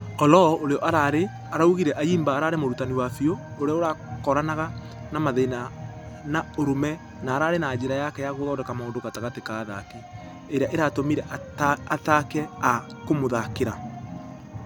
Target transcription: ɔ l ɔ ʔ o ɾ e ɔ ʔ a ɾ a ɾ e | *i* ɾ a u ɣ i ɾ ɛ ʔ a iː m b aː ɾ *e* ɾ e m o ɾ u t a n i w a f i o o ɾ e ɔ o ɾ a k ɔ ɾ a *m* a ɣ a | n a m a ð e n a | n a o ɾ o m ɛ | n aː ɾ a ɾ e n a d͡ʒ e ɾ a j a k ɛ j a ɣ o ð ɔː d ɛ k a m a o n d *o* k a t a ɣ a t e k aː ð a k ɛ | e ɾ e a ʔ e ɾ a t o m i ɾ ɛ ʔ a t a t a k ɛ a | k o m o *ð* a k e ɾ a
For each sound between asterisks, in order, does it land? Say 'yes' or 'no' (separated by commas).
no, no, no, yes, yes